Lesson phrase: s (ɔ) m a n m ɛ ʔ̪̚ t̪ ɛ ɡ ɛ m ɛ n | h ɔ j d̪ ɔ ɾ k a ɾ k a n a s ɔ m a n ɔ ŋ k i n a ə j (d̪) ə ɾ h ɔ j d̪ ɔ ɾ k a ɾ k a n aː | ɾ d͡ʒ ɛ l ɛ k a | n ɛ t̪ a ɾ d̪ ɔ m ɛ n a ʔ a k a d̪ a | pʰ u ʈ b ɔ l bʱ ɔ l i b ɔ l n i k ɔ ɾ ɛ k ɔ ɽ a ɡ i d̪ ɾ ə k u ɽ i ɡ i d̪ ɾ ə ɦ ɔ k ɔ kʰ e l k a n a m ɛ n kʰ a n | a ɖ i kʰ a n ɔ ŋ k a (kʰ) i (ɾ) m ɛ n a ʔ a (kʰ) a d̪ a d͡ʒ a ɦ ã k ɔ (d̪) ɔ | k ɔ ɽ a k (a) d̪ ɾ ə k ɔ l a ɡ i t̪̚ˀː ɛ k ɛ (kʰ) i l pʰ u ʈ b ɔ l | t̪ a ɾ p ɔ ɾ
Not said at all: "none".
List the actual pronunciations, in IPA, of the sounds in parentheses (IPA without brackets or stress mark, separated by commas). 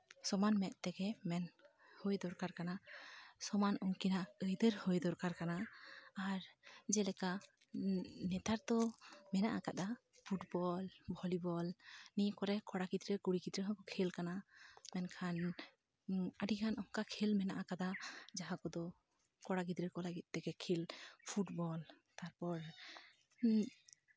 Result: ɔ, d̪, kʰ, l, k, d̪, i, kʰ